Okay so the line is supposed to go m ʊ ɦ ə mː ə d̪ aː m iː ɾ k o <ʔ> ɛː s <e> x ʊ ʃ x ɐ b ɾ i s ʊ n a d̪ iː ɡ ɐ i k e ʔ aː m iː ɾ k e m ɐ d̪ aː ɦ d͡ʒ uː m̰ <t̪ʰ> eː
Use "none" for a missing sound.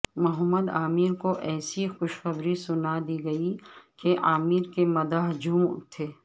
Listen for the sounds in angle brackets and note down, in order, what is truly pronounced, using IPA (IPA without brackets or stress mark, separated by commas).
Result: ʔ, i, t̪ʰ